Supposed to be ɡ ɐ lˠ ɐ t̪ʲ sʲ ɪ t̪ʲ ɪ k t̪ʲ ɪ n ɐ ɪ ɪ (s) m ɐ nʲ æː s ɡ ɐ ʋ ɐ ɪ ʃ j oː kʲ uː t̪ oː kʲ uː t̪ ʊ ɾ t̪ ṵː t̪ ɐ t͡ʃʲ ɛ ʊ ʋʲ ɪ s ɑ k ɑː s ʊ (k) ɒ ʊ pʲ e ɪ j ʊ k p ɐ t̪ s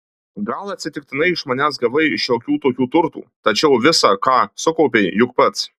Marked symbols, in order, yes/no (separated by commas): no, yes